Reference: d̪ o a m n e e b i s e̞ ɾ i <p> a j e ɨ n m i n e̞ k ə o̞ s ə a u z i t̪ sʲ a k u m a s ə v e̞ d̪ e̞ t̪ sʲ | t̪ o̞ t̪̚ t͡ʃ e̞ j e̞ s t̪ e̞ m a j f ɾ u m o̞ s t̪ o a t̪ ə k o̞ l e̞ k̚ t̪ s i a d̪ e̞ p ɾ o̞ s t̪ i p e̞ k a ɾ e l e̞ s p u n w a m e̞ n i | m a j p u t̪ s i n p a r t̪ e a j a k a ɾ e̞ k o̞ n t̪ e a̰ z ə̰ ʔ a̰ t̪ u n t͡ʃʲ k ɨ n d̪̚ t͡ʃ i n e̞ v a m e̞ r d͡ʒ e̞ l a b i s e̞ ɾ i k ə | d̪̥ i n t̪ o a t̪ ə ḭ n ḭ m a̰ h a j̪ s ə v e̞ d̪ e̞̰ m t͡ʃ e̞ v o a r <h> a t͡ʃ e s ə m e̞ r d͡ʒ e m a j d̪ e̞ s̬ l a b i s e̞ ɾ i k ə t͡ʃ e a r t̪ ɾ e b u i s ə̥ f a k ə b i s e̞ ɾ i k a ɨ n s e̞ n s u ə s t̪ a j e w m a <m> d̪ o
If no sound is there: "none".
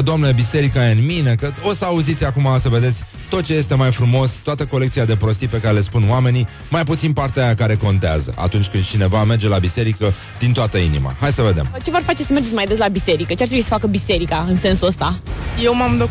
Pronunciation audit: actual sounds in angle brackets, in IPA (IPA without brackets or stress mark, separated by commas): k, f, m